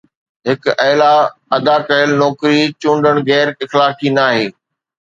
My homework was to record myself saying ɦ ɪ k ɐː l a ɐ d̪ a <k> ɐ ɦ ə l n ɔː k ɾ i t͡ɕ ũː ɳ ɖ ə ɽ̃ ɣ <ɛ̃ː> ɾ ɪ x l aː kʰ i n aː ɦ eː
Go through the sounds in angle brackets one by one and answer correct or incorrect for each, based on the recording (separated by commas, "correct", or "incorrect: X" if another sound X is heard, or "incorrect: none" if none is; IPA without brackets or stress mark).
correct, incorrect: ɛː